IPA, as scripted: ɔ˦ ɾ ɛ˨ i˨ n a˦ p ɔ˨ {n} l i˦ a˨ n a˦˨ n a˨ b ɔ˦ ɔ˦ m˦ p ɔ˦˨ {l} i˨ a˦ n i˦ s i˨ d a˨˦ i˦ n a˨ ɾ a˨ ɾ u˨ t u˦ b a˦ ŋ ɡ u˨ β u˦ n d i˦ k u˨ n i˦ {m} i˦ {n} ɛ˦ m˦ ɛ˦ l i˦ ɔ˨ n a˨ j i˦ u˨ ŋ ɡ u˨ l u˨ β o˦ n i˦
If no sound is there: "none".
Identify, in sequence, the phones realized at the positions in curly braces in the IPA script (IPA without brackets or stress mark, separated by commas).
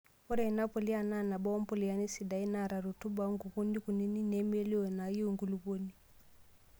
none, l, n, n